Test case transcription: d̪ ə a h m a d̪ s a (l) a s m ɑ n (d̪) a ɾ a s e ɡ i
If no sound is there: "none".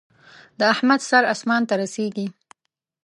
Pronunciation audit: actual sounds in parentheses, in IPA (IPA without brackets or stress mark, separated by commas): ɾ, t̪